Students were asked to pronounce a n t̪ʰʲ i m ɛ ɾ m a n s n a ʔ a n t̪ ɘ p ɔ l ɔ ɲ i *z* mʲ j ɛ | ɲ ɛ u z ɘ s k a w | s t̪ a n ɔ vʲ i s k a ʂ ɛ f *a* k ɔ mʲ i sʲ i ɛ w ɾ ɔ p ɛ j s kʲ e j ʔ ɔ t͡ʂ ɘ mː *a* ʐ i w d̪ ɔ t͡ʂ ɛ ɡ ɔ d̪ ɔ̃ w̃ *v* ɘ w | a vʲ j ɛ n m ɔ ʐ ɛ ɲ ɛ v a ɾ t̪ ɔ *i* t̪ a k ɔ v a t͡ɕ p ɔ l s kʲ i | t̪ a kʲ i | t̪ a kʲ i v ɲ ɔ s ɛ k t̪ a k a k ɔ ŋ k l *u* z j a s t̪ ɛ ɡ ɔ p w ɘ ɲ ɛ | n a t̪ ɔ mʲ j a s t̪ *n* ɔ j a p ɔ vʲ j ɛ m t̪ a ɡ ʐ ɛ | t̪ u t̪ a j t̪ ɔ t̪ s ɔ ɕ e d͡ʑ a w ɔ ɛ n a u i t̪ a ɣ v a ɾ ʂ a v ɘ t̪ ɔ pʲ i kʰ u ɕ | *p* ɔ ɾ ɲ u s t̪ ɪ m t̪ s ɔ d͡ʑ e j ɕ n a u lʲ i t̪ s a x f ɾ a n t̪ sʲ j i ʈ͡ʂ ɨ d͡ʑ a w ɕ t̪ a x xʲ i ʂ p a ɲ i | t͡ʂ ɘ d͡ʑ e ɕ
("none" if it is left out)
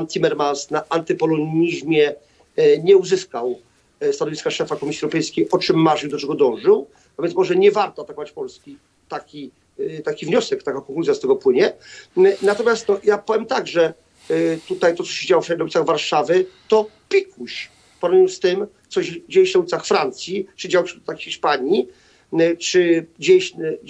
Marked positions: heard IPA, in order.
ʑ, a, a, ʐ, a, u, n, p

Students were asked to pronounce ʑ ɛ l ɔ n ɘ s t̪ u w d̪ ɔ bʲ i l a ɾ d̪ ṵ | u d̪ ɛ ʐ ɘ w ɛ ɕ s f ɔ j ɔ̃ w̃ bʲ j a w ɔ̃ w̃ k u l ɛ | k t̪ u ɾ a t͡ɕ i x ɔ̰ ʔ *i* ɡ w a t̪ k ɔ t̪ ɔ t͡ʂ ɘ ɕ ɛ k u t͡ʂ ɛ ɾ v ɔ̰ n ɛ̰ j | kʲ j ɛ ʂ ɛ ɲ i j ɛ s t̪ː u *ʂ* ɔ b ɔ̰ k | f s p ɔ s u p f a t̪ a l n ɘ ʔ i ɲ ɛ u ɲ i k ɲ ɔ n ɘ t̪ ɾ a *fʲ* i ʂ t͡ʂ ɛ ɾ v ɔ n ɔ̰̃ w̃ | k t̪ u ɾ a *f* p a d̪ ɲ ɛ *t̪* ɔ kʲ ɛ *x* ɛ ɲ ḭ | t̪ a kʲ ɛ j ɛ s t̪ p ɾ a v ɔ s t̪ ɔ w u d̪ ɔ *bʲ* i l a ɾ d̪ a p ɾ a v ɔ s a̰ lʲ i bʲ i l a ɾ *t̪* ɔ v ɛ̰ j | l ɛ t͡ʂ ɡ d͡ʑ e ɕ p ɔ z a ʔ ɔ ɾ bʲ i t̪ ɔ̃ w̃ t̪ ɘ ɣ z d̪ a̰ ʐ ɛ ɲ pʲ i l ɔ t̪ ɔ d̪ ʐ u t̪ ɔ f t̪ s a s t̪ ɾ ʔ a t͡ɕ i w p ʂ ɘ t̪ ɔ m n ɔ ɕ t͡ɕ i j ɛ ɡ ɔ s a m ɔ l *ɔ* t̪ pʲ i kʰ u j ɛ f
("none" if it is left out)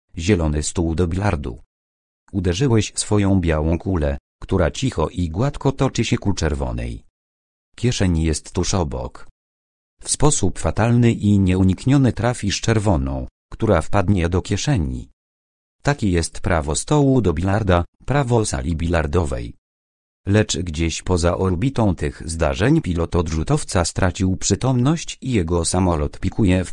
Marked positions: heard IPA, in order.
i, ʂ, fʲ, f, d̪, ʂ, bʲ, d̪, ɔ

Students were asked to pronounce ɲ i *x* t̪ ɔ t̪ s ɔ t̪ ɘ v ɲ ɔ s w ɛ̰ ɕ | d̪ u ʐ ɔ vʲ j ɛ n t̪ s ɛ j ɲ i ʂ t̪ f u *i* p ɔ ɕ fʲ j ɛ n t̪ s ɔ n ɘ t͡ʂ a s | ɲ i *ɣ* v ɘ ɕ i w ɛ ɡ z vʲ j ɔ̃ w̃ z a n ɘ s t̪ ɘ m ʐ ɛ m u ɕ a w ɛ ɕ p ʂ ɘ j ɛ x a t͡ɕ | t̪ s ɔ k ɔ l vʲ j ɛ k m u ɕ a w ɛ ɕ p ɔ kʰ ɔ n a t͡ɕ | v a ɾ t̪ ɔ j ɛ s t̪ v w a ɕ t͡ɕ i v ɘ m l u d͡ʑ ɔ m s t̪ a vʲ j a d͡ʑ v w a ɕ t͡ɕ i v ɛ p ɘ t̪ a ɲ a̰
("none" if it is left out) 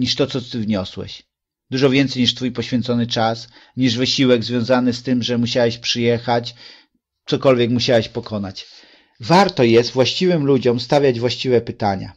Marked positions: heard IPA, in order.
ʂ, j, ʐ

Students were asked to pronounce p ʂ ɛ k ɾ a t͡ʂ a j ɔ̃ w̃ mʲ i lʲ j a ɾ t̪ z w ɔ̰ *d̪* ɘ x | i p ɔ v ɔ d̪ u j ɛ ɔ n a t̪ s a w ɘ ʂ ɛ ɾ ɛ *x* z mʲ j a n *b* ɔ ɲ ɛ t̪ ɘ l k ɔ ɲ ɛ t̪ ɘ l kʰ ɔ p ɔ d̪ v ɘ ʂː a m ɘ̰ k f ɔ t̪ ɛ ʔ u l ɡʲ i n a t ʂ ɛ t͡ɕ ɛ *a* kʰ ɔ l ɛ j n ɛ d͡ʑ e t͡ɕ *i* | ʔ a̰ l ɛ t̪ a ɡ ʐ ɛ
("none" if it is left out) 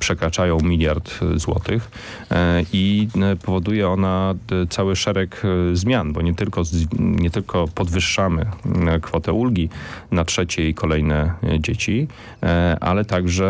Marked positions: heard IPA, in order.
t̪, k, b, i, i

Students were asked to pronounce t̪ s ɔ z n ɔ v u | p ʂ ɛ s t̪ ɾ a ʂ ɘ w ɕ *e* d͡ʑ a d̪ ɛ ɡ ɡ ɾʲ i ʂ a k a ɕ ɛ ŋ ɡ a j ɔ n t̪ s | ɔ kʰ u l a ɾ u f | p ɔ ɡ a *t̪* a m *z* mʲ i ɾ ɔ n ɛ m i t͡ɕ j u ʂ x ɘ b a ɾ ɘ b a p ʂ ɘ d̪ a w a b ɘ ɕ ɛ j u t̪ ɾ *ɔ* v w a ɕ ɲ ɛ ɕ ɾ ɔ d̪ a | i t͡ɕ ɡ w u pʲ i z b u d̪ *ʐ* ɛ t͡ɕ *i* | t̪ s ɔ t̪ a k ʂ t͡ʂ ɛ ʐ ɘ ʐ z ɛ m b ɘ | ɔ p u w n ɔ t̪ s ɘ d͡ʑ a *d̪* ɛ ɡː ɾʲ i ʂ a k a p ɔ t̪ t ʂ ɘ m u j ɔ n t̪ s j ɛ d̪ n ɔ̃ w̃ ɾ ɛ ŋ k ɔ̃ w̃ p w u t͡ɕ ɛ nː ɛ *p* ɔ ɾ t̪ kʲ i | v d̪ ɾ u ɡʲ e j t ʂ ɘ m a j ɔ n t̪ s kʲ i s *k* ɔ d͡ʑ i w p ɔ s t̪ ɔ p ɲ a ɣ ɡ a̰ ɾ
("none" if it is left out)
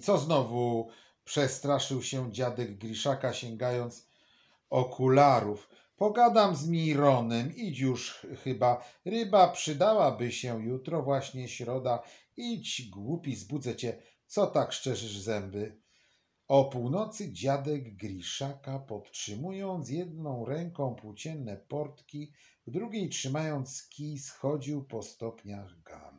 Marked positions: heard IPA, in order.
ɛ, d̪, z, ɔ, z, ɛ, d̪, p, x

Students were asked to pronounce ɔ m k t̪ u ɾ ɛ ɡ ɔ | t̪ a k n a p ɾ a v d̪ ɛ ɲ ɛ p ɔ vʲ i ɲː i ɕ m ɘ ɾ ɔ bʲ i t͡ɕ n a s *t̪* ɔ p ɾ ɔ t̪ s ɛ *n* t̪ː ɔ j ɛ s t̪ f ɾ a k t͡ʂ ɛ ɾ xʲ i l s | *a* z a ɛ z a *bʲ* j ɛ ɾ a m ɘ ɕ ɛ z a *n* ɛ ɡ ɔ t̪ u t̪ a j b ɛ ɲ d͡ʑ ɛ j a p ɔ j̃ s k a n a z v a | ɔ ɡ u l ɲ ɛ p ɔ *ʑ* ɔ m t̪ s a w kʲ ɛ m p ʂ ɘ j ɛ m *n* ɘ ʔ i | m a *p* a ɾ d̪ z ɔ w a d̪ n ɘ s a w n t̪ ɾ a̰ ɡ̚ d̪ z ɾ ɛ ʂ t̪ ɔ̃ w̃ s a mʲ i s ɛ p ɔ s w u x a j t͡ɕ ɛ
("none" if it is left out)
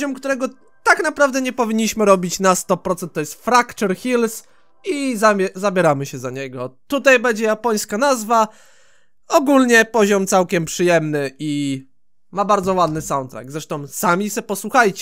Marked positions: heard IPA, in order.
t̪, n, i, bʲ, ɲ, ʑ, n, b

